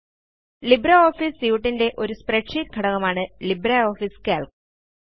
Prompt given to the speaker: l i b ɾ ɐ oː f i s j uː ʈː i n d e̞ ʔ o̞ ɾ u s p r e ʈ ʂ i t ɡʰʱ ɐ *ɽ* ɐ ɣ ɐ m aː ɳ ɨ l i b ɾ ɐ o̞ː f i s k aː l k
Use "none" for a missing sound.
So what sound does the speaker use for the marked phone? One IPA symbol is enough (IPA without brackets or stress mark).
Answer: ɽ